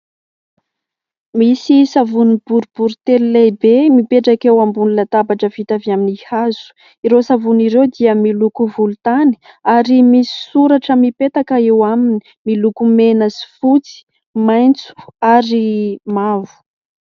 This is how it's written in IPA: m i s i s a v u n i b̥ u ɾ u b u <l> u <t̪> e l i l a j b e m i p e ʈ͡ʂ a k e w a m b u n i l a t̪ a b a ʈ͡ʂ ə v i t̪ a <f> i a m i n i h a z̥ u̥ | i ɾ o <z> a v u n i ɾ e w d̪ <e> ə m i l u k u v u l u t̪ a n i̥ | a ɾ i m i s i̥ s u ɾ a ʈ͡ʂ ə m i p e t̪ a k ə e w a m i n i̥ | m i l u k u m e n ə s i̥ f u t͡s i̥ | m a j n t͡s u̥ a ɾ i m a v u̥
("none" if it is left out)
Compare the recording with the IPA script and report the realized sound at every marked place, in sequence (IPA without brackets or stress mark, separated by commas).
ɾ, t̪, v, s, i